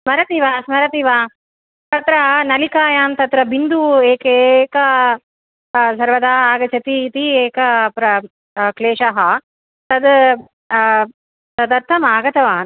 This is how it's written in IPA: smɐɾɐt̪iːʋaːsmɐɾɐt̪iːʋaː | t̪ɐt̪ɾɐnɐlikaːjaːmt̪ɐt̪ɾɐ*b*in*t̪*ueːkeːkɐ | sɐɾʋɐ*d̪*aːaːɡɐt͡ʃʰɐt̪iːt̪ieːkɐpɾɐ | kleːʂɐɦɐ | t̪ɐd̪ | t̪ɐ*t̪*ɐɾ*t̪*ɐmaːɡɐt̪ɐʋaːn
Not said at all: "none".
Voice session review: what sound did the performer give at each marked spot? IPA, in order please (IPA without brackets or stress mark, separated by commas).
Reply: b, d̪, d̪, d̪, t̪ʰ